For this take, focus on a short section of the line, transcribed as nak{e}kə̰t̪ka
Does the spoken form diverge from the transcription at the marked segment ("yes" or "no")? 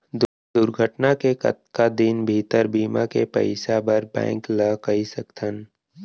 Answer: no